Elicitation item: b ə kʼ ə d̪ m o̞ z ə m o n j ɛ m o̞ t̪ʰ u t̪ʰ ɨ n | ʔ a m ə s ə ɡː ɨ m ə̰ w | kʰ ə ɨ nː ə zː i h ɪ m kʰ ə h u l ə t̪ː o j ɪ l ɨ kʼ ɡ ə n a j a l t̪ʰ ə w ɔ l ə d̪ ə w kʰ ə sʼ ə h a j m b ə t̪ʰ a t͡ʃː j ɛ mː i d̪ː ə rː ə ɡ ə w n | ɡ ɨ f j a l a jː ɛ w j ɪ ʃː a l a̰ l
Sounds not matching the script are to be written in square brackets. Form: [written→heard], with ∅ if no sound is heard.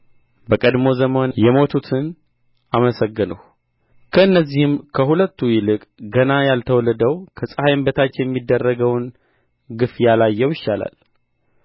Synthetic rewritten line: b ə kʼ ə d̪ m o̞ z ə m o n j ɛ m o̞ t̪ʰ u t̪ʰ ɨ n | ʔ a m ə s ə ɡː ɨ [m→n] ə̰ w | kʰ ə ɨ nː ə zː i h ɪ m kʰ ə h u l ə t̪ː [o→u] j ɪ l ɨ kʼ ɡ ə n a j a l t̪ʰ ə w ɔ l ə d̪ ə w kʰ ə sʼ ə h a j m b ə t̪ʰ a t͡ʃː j ɛ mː i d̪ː ə rː ə ɡ ə w n | ɡ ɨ f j a l a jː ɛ w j ɪ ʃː a l a̰ l